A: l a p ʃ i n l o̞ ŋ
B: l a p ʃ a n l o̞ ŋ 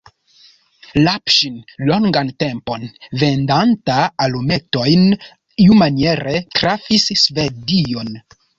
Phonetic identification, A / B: A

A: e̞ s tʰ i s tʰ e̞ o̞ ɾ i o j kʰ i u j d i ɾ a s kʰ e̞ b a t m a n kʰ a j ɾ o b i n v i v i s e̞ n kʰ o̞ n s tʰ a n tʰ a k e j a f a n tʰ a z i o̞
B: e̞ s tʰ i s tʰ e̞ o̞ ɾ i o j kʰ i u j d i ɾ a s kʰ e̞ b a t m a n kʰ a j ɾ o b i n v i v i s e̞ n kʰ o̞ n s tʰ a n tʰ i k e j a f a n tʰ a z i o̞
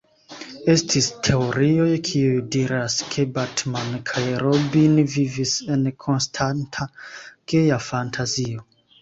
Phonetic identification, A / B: A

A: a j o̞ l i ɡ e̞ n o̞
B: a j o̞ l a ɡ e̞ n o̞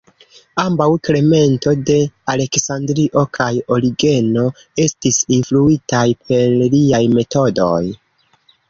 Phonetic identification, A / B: A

